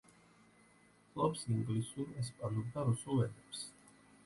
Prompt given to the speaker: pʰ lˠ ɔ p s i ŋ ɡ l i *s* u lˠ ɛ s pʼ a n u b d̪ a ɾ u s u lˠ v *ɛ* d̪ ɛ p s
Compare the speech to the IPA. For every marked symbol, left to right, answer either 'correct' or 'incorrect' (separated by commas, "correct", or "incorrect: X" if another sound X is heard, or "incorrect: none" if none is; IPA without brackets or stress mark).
correct, correct